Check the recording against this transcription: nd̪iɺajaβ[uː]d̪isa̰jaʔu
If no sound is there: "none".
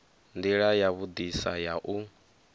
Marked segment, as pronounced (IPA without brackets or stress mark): u